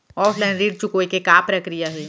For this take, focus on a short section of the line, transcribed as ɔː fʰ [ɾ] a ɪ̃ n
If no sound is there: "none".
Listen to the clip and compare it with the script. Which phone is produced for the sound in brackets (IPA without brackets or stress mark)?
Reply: l